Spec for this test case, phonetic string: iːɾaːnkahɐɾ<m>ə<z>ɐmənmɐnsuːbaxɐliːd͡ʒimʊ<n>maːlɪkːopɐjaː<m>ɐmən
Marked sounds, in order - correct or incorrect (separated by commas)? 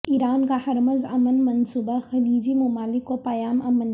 correct, correct, incorrect, correct